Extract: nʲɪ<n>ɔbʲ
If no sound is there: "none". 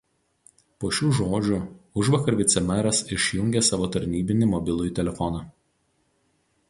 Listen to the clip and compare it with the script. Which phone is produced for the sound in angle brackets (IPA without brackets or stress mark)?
m